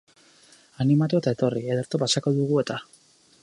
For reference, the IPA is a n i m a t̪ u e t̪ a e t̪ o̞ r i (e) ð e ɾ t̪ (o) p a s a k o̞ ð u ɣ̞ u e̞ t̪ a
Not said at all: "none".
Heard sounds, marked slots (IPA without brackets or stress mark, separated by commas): e, o